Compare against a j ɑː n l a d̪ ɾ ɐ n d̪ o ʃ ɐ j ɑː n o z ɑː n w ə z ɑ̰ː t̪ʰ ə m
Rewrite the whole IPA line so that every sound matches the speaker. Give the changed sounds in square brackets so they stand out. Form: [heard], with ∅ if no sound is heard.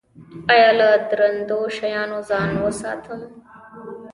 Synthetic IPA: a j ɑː [∅] l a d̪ ɾ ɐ n d̪ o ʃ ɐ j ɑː n o z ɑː n w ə [s] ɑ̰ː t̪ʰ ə m